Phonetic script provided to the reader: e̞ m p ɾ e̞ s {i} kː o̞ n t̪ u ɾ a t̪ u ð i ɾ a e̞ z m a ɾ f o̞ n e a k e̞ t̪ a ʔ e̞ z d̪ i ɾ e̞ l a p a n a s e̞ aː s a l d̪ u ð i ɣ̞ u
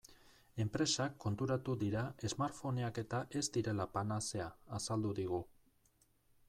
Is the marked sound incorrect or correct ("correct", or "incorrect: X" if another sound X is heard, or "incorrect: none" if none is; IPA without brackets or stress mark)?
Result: incorrect: a